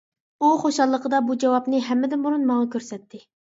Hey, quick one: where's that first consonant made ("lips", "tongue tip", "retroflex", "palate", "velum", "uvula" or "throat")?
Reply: uvula